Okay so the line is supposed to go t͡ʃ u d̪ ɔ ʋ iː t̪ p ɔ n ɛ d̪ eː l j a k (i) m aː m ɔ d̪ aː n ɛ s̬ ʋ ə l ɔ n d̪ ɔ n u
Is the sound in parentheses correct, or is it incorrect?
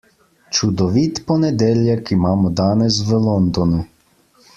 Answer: correct